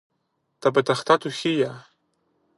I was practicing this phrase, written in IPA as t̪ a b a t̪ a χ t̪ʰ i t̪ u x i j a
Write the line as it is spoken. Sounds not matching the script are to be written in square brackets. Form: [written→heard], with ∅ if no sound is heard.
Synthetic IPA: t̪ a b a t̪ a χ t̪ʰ [i→a] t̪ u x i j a